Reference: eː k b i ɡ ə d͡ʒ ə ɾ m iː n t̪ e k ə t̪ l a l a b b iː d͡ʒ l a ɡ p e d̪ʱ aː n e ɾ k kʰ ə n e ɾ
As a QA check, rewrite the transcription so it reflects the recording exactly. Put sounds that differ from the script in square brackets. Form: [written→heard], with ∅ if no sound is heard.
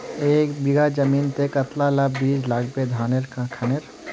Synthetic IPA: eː k b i ɡ [ə→a] d͡ʒ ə [ɾ→∅] m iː n t̪ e k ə t̪ l a l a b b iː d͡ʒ l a ɡ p e d̪ʱ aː n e ɾ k kʰ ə n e ɾ